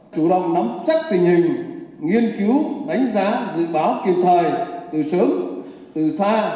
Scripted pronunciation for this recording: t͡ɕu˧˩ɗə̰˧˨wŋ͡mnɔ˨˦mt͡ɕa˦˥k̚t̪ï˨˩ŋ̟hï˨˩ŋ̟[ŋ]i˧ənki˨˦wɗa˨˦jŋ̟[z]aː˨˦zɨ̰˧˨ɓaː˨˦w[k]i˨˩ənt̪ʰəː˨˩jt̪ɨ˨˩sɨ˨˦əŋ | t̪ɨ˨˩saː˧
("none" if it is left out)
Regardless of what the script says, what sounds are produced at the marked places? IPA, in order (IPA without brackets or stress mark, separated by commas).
ŋ, z, k